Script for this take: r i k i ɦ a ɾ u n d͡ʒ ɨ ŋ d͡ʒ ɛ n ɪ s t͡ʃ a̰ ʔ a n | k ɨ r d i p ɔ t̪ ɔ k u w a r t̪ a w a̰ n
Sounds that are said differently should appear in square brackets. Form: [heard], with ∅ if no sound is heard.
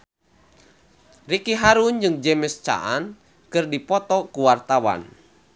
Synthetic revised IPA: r i k i ɦ a ɾ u n d͡ʒ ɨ ŋ d͡ʒ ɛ [m] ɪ s t͡ʃ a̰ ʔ a n | k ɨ r d i p ɔ t̪ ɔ k u w a r t̪ a w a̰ n